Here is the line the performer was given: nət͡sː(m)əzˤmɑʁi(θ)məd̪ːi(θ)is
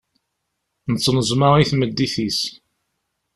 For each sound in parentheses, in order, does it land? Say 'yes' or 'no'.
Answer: no, yes, yes

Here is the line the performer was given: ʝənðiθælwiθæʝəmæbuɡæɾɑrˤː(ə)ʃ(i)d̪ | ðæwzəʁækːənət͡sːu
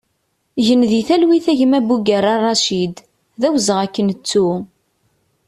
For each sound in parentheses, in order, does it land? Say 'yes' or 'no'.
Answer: no, yes

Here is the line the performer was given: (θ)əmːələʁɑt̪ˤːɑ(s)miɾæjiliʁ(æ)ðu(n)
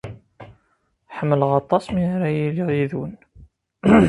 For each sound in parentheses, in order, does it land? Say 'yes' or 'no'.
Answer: no, yes, no, yes

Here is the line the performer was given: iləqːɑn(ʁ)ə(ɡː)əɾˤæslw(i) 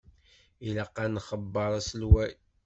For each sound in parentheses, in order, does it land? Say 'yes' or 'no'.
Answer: no, no, no

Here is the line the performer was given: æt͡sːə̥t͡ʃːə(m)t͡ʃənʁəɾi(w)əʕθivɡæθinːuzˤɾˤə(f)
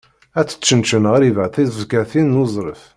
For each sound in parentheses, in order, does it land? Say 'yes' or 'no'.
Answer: no, no, yes

